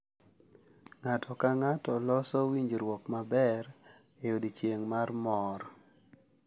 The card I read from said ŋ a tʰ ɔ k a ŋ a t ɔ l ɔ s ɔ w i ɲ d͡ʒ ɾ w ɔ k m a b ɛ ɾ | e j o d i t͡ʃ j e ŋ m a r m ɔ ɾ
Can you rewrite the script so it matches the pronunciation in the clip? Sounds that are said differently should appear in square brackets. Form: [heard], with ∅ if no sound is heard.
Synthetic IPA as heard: ŋ a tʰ ɔ k a ŋ a t ɔ l ɔ s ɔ w i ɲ d͡ʒ ɾ w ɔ k m a b ɛ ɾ | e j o d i t͡ʃ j e ŋ m a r m ɔ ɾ